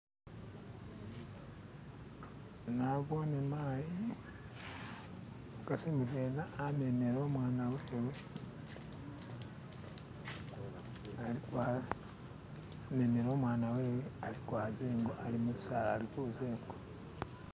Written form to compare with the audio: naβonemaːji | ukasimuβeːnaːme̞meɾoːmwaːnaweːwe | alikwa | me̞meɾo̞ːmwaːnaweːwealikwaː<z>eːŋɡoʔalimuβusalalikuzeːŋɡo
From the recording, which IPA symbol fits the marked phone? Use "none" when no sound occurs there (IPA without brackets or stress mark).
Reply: z